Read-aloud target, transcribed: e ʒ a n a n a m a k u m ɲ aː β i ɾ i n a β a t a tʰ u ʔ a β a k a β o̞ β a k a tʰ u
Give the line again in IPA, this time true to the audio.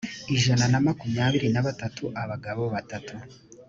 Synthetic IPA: i ʒ a n a n a m a k u m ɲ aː β i ɾ i n a β a t a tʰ u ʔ a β a ɡ a β o̞ β a t a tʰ u